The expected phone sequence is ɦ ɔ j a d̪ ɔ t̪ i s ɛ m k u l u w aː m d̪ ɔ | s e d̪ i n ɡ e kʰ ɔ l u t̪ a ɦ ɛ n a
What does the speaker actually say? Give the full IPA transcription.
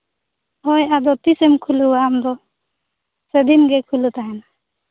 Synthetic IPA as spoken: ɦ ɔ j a d̪ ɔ t̪ i s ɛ m kʰ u l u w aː m d̪ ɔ | s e d̪ i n ɡ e kʰ u l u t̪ a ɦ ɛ n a